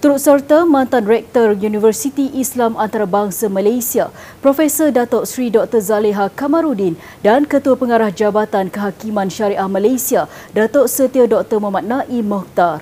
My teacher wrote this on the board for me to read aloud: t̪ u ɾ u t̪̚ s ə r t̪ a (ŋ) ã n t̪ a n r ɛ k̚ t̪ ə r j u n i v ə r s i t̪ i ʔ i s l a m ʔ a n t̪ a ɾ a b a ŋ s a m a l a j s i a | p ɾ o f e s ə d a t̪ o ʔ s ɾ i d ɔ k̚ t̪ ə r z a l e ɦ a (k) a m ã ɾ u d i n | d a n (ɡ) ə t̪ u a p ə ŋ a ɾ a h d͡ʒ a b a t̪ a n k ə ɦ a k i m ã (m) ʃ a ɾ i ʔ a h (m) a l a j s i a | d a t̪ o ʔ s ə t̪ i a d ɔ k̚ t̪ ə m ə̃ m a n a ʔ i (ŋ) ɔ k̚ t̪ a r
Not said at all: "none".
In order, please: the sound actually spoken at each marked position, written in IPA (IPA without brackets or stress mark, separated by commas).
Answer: m, k, k, n, m, m